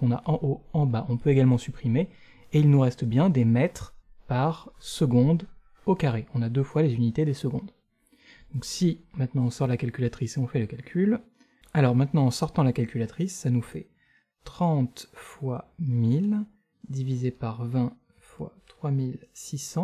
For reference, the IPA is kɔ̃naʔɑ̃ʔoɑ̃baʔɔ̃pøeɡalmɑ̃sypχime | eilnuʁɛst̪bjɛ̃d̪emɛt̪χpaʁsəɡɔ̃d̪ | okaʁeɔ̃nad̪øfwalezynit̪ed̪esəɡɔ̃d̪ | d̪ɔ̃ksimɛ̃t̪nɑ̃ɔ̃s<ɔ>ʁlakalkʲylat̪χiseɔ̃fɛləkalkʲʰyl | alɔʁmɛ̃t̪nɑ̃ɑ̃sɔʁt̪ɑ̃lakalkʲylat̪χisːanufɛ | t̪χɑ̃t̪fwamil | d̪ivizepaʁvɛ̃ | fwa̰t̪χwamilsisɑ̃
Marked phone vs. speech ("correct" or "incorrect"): correct